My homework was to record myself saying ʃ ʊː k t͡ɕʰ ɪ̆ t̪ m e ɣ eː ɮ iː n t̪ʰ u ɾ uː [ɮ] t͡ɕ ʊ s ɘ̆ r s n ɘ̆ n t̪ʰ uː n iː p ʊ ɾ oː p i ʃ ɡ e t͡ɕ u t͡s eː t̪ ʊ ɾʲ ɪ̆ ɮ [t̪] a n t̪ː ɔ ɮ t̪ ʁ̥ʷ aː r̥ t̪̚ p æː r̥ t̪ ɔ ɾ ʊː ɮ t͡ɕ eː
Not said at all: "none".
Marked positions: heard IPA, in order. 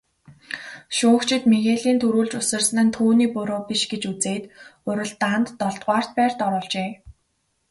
ɮ, t̪

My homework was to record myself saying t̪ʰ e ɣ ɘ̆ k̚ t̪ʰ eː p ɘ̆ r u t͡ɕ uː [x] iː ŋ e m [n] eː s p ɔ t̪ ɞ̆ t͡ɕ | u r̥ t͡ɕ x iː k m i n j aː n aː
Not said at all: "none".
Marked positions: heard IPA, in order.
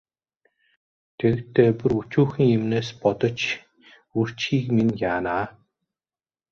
x, n

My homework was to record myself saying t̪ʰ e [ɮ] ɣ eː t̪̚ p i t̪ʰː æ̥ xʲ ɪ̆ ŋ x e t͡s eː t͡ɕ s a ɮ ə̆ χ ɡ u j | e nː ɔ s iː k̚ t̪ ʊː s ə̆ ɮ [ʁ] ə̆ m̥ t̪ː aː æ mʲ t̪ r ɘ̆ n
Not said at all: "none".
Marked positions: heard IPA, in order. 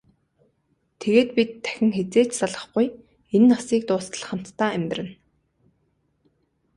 none, χ

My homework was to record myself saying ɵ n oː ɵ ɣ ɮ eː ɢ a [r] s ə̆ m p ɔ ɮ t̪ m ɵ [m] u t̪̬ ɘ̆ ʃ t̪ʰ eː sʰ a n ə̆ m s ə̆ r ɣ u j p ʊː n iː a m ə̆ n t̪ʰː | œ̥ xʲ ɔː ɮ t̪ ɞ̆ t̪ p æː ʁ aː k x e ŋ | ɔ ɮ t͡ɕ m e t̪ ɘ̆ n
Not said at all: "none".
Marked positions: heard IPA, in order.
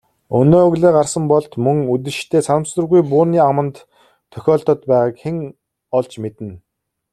r, ŋ

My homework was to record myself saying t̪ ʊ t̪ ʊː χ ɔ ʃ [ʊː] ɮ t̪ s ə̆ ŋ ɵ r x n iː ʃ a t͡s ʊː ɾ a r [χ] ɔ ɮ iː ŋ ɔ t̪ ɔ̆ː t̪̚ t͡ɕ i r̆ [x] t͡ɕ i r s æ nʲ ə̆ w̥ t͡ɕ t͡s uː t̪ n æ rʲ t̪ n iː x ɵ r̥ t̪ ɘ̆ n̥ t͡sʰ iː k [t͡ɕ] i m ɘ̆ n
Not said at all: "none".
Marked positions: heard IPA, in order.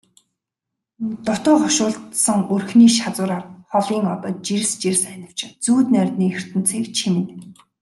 ʊː, χ, s, t͡ɕʰ

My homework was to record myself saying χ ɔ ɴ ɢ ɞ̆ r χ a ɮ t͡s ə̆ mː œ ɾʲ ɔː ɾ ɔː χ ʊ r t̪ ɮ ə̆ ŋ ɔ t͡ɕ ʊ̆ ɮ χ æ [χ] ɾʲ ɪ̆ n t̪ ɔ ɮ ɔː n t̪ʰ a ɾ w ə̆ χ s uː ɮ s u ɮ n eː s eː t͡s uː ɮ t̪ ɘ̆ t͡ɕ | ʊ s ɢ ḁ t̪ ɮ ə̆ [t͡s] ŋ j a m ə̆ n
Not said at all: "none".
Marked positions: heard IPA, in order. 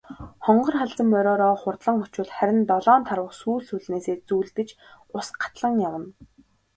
none, none

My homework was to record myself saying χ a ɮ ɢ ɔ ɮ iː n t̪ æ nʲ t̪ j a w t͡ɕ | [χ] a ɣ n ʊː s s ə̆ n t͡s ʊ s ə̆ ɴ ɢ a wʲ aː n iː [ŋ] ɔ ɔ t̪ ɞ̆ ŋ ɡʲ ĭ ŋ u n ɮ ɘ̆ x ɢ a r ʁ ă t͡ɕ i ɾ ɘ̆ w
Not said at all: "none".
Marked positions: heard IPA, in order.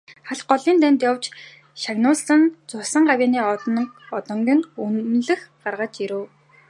ʃ, none

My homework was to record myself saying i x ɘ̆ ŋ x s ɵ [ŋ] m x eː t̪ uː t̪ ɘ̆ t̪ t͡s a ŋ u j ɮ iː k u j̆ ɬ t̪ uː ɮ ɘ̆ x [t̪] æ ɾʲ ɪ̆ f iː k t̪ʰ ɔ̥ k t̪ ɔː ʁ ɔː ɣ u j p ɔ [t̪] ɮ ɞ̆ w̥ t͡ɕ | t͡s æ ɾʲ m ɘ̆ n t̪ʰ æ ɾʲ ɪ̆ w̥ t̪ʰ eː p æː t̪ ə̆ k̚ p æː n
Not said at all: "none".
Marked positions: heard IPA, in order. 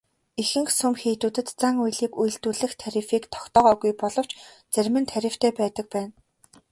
none, t̪ʰ, none

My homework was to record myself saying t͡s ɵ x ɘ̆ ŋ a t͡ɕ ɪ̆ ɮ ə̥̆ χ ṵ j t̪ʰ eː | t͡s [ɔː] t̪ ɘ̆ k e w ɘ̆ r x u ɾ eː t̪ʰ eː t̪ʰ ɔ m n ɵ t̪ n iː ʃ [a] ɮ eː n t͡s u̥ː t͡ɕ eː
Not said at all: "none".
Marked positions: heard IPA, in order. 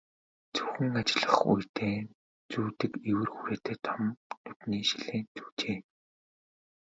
uː, i

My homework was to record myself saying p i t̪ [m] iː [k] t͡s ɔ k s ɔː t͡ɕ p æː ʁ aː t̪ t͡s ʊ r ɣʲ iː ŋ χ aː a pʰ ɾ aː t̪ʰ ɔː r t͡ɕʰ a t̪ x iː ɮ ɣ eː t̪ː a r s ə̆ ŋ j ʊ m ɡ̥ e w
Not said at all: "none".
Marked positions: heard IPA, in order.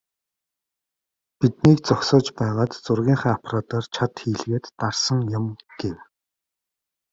n, k

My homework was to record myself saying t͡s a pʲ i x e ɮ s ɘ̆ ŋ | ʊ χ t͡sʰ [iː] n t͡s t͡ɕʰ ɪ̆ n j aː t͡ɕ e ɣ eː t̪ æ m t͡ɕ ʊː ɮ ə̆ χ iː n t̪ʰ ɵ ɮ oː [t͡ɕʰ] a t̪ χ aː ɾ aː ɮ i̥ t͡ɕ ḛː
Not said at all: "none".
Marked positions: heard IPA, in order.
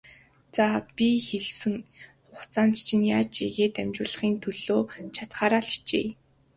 aː, t͡ɕʰ

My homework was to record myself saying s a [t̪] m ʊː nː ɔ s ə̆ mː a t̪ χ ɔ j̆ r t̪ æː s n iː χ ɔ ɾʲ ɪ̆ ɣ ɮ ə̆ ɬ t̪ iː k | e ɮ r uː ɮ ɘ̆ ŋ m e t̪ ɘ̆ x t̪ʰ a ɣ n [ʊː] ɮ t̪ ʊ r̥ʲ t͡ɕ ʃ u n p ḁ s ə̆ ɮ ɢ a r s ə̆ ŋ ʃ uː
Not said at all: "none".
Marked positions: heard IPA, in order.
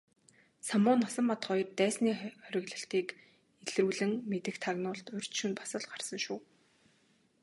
none, ʊː

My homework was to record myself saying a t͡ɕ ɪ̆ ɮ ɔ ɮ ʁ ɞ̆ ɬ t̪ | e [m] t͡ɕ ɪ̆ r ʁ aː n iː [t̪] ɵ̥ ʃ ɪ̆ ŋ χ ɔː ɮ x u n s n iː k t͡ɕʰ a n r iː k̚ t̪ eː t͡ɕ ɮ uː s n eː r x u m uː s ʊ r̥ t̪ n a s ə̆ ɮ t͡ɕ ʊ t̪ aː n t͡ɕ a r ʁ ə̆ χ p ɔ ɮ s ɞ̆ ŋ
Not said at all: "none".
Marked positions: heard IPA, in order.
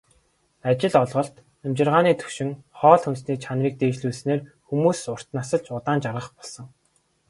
m, t̪ʰ

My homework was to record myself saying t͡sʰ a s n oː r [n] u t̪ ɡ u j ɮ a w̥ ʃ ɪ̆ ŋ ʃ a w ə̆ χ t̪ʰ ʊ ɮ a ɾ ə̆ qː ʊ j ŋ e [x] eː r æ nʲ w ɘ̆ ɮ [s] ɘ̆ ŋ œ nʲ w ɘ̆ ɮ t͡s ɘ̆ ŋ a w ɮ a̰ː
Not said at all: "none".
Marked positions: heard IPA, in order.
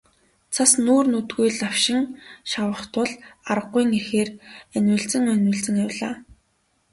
n, x, t͡s

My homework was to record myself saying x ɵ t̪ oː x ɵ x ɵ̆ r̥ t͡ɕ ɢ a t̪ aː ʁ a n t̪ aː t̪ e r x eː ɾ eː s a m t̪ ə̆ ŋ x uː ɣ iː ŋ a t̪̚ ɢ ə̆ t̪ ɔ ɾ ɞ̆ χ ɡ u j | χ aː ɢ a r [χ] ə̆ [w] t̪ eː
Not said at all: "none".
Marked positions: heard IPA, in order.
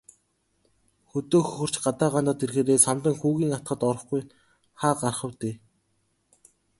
χ, w

